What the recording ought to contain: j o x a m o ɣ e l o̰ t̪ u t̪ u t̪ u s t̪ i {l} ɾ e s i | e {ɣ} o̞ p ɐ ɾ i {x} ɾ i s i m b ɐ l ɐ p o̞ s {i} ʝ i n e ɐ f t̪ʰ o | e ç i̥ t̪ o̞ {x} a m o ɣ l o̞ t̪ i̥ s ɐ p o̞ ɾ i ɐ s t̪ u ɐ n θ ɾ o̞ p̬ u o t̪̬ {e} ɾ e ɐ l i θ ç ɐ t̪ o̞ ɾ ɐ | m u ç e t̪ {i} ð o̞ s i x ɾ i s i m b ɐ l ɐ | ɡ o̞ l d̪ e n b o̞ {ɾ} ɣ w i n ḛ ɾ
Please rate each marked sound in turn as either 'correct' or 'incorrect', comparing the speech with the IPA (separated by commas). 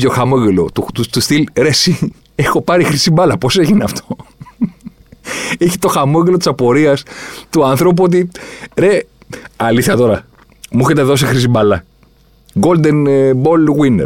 correct, incorrect, correct, incorrect, correct, incorrect, incorrect, incorrect